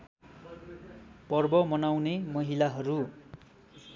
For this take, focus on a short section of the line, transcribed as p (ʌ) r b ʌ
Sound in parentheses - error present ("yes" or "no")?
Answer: no